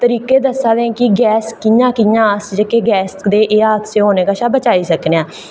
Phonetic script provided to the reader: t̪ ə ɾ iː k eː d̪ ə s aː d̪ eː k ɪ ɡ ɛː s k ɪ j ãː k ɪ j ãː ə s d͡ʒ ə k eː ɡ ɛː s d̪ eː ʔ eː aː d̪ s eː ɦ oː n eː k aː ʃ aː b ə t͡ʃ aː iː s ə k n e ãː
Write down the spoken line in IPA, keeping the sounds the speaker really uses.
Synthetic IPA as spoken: t̪ ə ɾ iː k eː d̪ ə s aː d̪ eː k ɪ ɡ ɛː s k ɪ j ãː k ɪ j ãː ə s d͡ʒ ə k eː ɡ ɛː s d̪ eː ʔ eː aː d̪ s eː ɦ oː n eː k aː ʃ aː b ə t͡ʃ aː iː s ə k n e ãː